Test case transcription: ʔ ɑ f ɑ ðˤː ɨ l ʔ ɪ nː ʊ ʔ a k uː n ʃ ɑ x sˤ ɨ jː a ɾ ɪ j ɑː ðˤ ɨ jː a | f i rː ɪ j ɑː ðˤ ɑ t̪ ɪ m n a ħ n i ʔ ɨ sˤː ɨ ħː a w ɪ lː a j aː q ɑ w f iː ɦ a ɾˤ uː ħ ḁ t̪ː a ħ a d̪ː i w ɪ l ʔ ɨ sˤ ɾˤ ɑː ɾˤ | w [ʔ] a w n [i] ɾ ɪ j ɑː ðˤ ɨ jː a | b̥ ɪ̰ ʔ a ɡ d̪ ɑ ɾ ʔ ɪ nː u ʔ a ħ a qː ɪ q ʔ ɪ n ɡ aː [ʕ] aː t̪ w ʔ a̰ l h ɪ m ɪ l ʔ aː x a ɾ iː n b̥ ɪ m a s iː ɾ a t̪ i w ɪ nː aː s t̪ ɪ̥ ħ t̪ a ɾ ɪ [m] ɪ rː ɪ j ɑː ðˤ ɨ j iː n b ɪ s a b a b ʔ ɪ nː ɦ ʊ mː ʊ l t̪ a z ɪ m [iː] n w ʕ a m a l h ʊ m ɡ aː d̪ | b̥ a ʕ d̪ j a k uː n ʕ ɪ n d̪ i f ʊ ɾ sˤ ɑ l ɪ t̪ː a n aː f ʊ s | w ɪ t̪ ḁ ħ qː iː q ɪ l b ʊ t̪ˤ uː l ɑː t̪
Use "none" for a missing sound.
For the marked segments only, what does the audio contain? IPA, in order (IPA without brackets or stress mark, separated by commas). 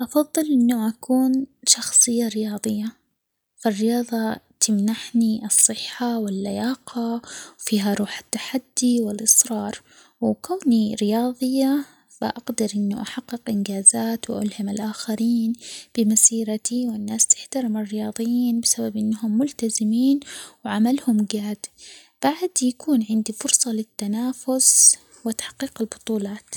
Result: k, i, z, m, iː